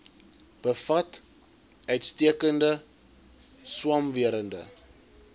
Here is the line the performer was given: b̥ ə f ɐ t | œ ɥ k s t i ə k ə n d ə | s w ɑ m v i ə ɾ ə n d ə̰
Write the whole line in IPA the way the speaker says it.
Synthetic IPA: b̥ ə f ɐ t | œ ɥ t s t i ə k ə n d ə | s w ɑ m v i ə ɾ ə n d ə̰

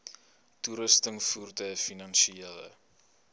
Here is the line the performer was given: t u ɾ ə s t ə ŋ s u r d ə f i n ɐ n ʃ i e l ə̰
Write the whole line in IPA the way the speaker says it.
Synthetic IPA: t u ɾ ə s t ə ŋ f u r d ə f i n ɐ n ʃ i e l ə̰

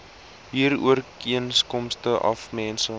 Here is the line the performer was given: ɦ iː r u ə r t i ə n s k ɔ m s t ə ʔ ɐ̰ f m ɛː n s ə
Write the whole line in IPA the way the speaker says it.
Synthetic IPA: ɦ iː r u ə r k i ə n s k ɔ m s t ə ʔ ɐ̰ f m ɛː n s ə

